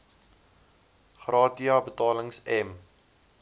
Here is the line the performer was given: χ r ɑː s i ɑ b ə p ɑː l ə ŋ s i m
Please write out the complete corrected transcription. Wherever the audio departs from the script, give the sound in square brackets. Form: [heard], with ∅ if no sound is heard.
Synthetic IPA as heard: χ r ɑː [t] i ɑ b ə [t] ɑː l ə ŋ s [ɛ] m